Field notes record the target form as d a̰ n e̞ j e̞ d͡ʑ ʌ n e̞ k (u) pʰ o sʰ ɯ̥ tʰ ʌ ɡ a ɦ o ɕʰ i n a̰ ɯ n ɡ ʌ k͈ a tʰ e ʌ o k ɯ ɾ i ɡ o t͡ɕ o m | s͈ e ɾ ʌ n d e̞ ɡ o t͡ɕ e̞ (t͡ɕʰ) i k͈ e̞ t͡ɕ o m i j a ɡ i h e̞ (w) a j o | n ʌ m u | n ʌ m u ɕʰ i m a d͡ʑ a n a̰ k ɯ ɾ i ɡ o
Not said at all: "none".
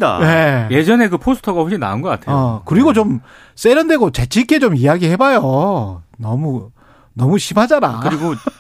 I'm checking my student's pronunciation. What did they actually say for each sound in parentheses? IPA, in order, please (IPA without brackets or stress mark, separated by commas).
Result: ɯ, t͡ɕʰ, b